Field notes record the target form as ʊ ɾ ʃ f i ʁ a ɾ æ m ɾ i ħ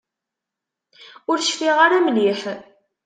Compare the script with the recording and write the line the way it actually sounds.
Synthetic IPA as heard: ʊ ɾ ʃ f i ʁ a ɾ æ m l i ħ